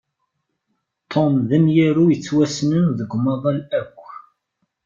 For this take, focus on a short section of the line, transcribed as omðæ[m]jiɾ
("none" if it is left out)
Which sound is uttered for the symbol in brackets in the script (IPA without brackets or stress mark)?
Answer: m